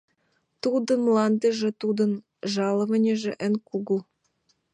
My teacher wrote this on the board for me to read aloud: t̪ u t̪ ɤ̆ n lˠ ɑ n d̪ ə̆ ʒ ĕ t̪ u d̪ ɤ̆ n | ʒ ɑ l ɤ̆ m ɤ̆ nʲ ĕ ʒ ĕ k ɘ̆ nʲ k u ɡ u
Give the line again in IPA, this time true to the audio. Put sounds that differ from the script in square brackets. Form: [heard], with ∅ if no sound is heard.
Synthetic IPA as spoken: t̪ u [d̪] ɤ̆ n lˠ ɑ n d̪ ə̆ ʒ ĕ t̪ u d̪ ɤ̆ n | ʒ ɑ l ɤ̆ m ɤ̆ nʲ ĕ ʒ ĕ [ʔ] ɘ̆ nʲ k u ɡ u